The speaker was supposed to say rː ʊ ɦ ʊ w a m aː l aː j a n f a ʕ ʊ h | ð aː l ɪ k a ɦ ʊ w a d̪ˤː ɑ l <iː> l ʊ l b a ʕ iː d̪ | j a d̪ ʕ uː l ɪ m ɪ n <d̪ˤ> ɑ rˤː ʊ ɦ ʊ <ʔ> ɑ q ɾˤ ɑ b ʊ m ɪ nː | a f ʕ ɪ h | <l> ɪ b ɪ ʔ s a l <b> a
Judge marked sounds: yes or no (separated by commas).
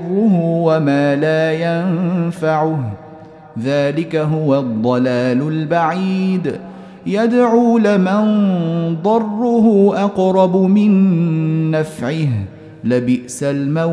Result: no, yes, yes, yes, no